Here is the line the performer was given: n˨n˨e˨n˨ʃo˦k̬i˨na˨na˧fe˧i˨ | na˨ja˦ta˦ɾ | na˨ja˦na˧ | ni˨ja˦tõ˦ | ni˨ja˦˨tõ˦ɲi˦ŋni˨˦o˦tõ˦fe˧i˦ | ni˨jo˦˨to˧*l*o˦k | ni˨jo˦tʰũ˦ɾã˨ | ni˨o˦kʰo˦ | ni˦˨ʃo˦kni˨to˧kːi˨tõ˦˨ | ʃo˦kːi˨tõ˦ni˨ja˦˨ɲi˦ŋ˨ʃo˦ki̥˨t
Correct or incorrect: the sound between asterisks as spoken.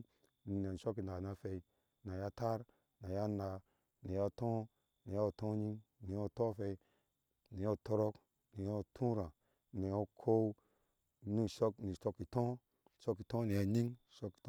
incorrect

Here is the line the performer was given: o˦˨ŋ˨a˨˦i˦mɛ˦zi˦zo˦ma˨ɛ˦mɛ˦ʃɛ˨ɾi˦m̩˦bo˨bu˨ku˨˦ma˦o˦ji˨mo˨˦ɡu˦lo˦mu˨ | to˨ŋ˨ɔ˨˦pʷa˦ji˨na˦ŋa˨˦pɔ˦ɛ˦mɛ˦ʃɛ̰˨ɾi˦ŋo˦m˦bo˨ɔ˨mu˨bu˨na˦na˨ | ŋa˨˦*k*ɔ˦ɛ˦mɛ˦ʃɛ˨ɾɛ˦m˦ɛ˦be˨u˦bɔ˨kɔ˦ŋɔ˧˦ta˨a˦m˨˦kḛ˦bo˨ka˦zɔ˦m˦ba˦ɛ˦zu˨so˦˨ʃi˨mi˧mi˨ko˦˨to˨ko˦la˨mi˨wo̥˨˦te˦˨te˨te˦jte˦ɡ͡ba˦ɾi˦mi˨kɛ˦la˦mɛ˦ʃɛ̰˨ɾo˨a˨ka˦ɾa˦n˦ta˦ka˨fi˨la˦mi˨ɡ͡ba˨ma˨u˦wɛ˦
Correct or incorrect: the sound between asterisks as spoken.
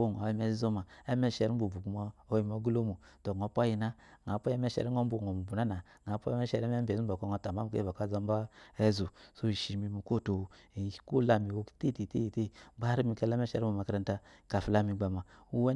incorrect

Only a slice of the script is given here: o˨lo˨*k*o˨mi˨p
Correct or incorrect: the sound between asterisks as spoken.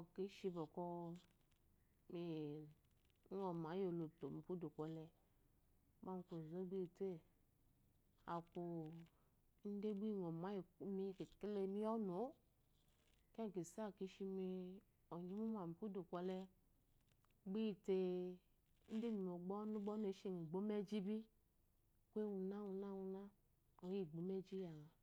incorrect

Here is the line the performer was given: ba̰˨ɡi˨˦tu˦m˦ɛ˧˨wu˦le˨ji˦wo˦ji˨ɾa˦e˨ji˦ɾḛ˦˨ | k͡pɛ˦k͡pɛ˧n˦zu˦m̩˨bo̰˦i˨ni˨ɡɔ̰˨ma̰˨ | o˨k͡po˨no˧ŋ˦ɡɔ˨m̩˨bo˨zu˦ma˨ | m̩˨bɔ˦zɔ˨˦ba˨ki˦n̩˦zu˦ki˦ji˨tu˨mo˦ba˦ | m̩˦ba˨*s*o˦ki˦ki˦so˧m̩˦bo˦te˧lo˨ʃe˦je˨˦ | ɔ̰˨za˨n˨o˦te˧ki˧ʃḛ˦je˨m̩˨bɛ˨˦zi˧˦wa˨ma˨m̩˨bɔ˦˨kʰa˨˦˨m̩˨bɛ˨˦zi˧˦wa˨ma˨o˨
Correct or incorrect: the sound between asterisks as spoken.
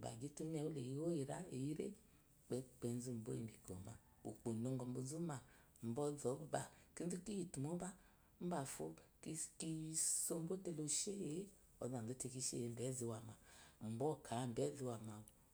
incorrect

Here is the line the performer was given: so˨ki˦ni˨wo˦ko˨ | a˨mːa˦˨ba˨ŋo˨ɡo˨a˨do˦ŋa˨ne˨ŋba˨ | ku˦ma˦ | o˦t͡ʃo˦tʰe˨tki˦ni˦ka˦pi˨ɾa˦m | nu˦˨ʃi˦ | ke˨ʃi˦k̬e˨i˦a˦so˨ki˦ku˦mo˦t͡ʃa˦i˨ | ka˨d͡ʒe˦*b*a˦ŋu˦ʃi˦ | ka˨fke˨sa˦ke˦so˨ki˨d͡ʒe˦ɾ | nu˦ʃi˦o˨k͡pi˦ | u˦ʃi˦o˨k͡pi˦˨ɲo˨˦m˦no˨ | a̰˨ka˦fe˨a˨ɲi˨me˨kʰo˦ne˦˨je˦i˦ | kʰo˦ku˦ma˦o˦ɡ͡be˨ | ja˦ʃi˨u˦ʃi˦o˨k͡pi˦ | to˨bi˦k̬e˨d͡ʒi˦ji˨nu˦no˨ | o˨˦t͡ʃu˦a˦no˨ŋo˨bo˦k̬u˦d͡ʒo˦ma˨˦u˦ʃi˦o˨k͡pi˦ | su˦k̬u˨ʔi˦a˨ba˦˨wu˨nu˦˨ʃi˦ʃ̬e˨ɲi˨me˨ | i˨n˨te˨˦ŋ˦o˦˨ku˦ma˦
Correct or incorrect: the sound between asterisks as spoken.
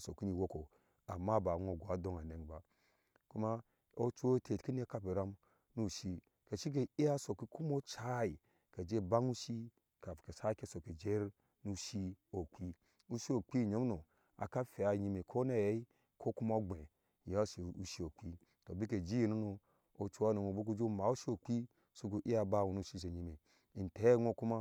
correct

